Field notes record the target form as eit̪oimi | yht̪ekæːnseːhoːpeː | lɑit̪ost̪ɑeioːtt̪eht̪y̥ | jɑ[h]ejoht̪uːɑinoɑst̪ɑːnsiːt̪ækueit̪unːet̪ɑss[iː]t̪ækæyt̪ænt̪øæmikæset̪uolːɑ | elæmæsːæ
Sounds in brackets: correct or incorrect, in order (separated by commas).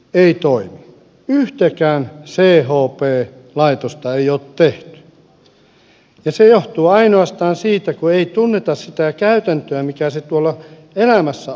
incorrect, incorrect